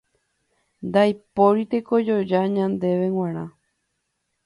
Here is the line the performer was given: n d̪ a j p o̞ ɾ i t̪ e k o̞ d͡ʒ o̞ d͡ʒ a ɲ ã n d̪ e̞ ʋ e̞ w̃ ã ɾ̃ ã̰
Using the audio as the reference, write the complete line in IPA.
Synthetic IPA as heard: n d̪ a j p o̞ ɾ i t̪ e k o̞ d͡ʒ o̞ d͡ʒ a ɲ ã n d̪ e̞ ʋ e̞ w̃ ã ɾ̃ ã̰